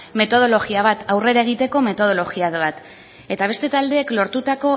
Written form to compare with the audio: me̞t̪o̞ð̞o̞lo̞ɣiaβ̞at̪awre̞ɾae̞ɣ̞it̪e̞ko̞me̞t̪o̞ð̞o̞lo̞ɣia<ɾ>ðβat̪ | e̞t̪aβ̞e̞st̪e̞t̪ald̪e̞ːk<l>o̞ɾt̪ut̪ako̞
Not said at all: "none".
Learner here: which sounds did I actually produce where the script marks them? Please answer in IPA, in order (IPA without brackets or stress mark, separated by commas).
none, l